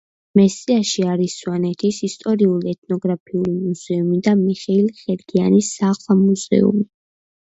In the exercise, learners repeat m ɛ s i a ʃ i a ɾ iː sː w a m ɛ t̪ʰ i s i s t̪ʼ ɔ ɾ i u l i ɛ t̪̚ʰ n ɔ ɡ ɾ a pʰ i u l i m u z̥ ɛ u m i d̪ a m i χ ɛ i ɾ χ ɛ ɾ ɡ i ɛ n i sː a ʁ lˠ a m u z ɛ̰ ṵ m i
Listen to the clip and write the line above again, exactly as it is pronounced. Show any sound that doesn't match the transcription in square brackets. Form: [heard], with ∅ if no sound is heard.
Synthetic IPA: m ɛ s i a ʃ i a ɾ [i] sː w a [n] ɛ t̪ʰ i s i s t̪ʼ ɔ ɾ i u l i ɛ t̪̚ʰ n ɔ ɡ ɾ a pʰ i u l i m u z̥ ɛ u m i d̪ a m i χ ɛ i [l] χ ɛ ɾ ɡ i [a] n i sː a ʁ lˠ a m u z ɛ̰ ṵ m i